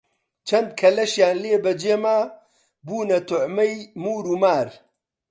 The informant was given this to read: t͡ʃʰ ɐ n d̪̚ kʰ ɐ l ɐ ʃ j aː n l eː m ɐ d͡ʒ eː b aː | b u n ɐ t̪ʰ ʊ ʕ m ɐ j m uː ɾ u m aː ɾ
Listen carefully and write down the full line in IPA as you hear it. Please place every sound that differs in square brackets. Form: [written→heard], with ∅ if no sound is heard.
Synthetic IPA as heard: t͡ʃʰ ɐ n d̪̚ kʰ ɐ l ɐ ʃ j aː n l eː [m→b] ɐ d͡ʒ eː [b→m] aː | b [u→uː] n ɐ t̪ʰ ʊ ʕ m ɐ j m uː ɾ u m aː ɾ